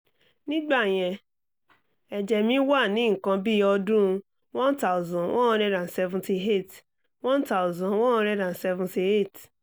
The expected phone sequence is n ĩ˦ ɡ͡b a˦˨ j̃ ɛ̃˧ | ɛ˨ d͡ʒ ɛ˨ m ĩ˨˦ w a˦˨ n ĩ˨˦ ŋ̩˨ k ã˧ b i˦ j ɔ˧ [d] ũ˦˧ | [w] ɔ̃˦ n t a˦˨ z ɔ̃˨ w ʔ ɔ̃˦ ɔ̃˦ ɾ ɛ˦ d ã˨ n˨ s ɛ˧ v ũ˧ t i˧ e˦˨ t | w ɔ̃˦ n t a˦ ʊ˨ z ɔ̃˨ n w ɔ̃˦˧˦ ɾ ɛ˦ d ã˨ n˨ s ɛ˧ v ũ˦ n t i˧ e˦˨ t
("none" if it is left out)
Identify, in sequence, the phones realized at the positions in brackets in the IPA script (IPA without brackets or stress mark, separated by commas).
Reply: d, w